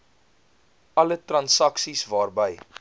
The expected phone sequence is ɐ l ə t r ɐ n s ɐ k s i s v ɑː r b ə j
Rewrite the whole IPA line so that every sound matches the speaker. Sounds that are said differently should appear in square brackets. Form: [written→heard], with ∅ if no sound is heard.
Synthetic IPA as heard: ɐ l ə t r ɐ n s ɐ k s i s v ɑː r b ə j

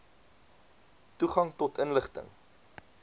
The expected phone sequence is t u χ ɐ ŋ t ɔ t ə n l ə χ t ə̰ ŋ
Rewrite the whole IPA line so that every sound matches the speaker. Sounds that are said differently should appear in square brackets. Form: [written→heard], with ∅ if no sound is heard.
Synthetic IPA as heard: t u χ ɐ ŋ t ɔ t ə n l ə χ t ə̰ ŋ

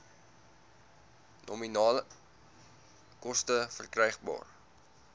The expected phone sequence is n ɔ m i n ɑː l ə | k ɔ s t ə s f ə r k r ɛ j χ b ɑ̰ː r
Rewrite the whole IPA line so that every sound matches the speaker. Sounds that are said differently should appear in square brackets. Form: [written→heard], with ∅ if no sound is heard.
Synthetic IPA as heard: n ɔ m i n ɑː l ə | k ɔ s t ə [s→∅] f ə r k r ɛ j χ b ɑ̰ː r

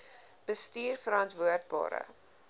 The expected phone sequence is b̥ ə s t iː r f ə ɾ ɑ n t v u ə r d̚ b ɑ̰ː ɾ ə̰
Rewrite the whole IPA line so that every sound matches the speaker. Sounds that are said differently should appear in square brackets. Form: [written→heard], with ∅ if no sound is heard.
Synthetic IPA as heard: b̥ ə s t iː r f ə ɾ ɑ n t v u ə r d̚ b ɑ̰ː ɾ ə̰

